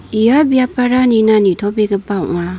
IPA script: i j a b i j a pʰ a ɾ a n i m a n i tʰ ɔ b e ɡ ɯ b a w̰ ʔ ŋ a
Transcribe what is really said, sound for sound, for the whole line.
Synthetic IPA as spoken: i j a b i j a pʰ a ɾ a n i n a n i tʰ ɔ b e ɡ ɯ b a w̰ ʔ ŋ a